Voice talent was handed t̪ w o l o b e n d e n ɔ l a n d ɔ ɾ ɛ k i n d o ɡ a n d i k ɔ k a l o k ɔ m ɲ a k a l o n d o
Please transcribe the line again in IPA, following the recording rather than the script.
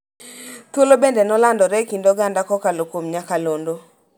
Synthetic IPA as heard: t̪ w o l o b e n d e n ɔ l a n d ɔ ɾ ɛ k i n d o ɡ a n d a k ɔ k a l o k o m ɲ a k a l o n d o